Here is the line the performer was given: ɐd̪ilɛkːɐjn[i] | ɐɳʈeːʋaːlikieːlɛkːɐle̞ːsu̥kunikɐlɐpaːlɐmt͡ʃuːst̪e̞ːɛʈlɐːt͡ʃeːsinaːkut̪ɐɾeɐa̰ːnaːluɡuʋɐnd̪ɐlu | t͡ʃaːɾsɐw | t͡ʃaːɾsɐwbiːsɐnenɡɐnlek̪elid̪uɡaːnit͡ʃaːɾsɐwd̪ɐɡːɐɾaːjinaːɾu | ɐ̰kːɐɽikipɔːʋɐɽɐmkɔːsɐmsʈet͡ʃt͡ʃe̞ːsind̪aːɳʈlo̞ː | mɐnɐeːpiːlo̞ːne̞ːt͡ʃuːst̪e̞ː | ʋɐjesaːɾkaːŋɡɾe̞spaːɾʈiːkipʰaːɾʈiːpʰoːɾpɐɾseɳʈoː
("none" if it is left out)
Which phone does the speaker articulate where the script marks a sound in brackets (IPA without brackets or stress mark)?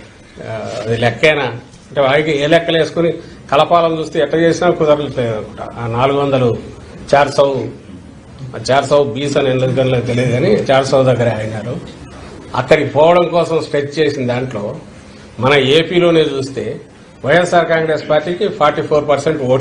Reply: a